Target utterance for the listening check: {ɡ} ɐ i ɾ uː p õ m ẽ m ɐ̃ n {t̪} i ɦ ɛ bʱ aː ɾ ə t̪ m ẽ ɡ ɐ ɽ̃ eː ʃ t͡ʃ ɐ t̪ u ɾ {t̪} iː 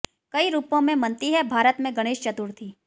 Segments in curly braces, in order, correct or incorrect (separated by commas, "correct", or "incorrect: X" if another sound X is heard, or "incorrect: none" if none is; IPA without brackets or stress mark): incorrect: k, correct, incorrect: t̪ʰ